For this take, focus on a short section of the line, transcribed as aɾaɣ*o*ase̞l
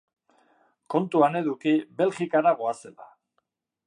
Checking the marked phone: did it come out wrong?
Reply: no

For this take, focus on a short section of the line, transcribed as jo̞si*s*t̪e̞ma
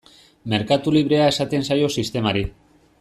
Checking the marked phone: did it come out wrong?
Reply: no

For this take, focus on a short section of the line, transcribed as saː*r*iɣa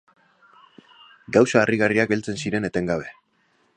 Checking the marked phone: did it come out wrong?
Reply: no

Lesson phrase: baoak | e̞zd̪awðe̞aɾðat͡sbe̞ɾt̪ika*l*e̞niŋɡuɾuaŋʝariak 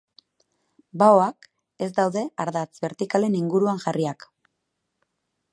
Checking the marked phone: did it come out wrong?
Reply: no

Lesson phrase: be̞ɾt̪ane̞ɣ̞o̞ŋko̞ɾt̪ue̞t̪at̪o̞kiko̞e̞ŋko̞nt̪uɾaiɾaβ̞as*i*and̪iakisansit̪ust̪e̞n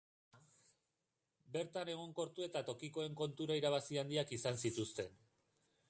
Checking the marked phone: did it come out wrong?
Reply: no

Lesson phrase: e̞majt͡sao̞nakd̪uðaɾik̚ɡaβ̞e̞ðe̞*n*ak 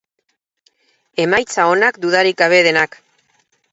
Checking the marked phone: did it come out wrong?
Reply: no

